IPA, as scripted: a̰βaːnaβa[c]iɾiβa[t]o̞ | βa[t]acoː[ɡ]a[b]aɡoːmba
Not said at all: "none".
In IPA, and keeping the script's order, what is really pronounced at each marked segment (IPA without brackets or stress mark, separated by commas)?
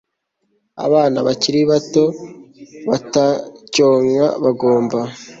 c, t, t, ŋ, β